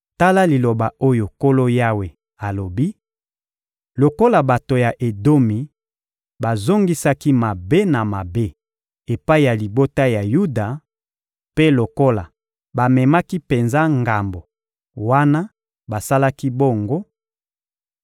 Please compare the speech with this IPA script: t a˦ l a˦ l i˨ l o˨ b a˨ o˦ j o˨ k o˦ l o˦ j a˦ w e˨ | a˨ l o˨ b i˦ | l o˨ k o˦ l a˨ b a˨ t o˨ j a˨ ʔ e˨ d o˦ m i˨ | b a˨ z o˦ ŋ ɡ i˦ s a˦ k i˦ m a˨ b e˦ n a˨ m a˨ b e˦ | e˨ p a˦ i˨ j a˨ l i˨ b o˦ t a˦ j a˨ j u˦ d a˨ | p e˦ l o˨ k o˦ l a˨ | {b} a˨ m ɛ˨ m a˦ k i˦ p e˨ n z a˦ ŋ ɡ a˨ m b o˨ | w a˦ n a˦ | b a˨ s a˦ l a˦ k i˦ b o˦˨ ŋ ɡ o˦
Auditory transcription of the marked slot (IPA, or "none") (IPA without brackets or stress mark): b